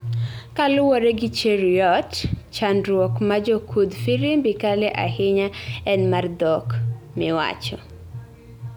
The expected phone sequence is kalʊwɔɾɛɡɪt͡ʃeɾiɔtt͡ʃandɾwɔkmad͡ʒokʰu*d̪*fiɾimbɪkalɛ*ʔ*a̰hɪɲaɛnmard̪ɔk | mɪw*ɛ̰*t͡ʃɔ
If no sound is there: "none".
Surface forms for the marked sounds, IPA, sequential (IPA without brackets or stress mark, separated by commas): d̪, ʔ, a̰